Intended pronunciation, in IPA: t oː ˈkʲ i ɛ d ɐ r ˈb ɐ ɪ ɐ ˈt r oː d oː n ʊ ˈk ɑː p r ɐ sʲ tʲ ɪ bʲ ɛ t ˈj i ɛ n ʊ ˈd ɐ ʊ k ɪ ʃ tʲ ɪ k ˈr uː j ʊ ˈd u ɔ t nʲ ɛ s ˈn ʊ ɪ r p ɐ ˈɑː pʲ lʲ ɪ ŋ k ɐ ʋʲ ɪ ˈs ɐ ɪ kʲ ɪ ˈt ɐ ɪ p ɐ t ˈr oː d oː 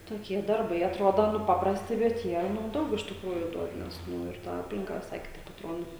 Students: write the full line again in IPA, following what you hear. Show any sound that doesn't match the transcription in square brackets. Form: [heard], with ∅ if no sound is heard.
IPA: t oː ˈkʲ i ɛ d ɐ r ˈb ɐ ɪ ɐ ˈt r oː d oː n ʊ [ˈp] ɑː p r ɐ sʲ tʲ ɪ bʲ ɛ t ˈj i ɛ n ʊ ˈd ɐ ʊ k ɪ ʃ tʲ ɪ k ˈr uː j ʊ ˈd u ɔ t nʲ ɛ s ˈn ʊ ɪ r [t] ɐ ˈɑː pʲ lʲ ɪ ŋ k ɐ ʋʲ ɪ ˈs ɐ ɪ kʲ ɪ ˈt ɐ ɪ p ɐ t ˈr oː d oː